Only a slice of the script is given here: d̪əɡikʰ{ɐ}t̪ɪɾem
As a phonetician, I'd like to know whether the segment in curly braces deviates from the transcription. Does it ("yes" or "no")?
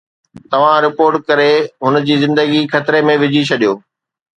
no